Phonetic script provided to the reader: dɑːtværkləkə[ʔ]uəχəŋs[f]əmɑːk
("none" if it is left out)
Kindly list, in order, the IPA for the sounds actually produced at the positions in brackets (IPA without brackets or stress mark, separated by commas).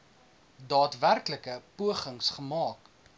p, χ